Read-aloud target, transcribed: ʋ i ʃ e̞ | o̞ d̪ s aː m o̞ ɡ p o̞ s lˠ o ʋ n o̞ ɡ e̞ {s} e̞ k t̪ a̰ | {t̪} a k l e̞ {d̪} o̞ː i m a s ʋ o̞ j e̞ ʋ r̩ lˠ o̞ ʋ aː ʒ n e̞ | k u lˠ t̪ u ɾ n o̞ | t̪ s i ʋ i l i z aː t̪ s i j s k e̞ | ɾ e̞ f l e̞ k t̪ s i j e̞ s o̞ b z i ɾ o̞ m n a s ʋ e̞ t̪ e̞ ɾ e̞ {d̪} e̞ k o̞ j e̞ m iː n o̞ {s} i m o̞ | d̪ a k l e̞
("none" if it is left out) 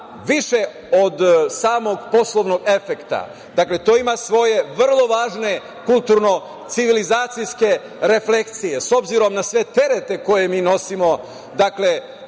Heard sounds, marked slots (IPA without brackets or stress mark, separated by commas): f, d̪, t̪, t̪, s